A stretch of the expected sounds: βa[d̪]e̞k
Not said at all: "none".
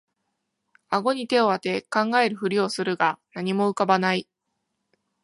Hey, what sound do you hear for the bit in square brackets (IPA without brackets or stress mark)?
t̪